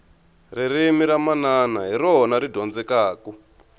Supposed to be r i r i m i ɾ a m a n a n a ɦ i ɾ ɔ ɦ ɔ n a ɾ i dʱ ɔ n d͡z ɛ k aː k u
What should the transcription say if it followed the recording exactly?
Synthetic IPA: r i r i m i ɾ a m a n a n a ɦ i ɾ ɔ ɦ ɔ n a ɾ i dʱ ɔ n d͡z ɛ k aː k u